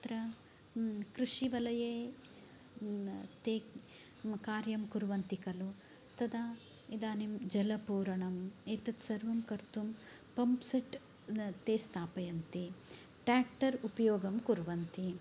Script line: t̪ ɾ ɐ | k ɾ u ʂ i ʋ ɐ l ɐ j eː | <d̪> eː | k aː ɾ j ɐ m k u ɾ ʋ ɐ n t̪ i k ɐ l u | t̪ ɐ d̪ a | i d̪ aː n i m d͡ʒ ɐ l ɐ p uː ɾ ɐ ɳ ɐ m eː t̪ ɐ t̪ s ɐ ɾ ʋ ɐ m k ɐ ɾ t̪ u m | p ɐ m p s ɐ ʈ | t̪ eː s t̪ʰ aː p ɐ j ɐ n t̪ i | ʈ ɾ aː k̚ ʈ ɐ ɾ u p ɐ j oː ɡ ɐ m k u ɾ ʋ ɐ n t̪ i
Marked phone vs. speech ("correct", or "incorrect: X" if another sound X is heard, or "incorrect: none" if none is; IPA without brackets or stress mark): incorrect: t̪